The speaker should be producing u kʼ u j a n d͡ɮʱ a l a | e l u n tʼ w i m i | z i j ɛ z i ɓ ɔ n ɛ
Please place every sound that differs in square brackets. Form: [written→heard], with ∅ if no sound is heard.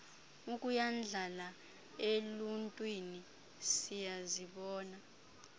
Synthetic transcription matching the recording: u kʼ u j a n d͡ɮʱ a l a | e l u n tʼ w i [m→n] i | [z→s] i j [ɛ→a] z i ɓ [ɔ→ɔː] n [ɛ→a]